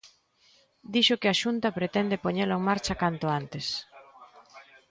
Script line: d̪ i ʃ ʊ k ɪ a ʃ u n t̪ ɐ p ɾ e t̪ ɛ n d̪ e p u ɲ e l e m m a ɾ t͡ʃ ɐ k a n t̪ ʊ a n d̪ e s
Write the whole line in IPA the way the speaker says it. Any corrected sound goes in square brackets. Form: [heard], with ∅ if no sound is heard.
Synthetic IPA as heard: d̪ i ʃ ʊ k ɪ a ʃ u n t̪ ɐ p ɾ e t̪ ɛ n d̪ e p [o] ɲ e l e [ŋ] m a ɾ t͡ʃ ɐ k a n t̪ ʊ a n [t̪] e s